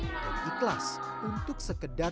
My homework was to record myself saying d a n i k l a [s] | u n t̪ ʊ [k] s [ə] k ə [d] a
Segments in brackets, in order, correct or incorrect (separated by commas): correct, correct, correct, correct